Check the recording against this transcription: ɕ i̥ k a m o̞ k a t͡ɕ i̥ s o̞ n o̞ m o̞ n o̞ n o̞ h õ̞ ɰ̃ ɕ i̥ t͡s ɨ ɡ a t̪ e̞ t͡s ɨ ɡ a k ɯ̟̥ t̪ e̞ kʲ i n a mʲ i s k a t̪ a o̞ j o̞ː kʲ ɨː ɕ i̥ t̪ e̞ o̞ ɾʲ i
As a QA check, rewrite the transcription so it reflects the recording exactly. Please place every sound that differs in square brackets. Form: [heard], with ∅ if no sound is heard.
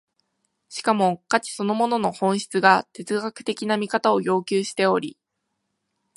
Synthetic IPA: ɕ i̥ k a m o̞ k a t͡ɕ i̥ s o̞ n o̞ m o̞ n o̞ n o̞ h õ̞ ɰ̃ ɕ i̥ t͡s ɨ ɡ a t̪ e̞ t͡s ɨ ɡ a k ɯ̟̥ t̪ e̞ kʲ i n a mʲ i [∅] k a t̪ a o̞ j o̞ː kʲ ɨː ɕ i̥ t̪ e̞ o̞ ɾʲ i